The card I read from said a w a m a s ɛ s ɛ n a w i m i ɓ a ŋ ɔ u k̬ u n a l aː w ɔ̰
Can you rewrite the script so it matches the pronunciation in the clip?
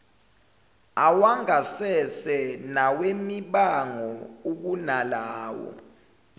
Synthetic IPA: a w a ŋ a s ɛ s ɛ n a w e m i ɓ a ŋ ɔ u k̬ u n a l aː w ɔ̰

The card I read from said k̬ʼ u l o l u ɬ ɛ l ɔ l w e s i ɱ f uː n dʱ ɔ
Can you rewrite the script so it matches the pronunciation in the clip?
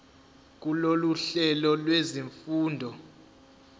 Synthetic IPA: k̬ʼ u l o l u ɬ ɛ l ɔ l w e z i ɱ f uː n dʱ ɔ

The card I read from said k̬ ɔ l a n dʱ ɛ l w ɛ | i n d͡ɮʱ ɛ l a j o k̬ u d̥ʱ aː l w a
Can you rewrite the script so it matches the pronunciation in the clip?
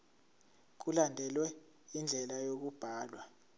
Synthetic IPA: k̬ u l a n dʱ ɛ l w ɛ | i n d͡ɮʱ ɛ l a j o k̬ u b̥ʱ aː l w a

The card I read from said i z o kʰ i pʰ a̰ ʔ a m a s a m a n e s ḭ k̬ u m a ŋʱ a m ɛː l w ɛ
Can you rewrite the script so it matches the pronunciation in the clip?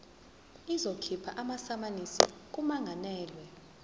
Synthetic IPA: i z o kʰ i pʰ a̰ ʔ a m a s a m a n i s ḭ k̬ u m a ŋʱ a n ɛː l w ɛ

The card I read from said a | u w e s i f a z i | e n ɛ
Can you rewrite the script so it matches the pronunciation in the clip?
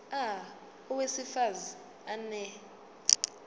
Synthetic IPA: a | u w e s i f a z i | a n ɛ

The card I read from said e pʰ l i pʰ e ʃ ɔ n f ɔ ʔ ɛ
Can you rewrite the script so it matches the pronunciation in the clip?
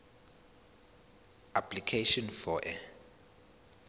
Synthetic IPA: a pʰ l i kʰ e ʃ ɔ n f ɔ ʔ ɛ

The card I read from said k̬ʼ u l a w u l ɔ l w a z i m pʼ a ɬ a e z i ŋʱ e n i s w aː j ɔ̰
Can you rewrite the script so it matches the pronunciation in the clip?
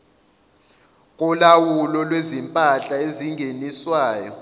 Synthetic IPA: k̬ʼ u l a w u l ɔ l w e z i m pʼ a ɬ a e z i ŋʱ e n i s w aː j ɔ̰

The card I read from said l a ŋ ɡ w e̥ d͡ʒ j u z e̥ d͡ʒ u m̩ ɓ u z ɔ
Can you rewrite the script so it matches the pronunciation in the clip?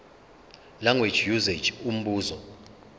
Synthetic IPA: l a ŋ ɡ w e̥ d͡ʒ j u z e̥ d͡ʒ u m̩ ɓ uː z ɔ

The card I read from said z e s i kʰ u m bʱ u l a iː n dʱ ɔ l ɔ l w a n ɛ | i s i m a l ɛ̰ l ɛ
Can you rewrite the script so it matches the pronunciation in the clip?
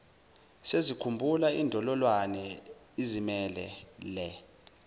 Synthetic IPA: s e z i kʰ u m bʱ u l a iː n dʱ ɔ l ɔ l w a n ɛ | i z i m ɛ l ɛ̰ l ɛ

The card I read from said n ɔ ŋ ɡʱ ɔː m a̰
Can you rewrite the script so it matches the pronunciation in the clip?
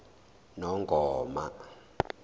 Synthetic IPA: n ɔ ŋ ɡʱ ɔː m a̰

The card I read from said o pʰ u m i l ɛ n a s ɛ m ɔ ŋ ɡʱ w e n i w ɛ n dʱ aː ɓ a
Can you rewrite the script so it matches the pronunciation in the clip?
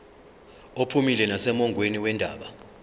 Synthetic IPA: o pʰ u m i l ɛ n a s ɛ m ɔ ŋ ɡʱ w e n i w ɛ n dʱ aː ɓ a

